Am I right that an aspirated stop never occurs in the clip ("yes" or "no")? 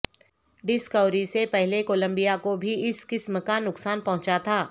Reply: no